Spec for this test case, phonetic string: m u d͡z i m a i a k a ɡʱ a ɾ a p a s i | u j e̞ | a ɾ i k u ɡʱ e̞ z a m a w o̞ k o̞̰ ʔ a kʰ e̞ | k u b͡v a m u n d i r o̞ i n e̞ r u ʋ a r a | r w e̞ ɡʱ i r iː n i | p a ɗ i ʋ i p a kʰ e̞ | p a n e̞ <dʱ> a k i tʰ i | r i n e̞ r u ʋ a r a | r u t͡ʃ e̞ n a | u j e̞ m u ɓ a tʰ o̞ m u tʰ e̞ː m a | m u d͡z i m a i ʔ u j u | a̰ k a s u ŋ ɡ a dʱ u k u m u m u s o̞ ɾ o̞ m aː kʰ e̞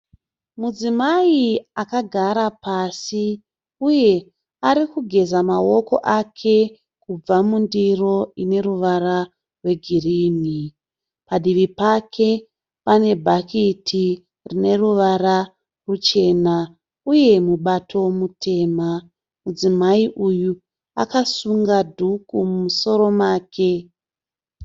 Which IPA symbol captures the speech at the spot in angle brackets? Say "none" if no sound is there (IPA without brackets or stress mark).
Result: bʱ